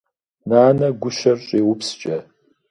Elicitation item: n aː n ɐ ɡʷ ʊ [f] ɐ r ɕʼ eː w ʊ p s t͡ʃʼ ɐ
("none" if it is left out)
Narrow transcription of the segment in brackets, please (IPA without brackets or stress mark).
ʃ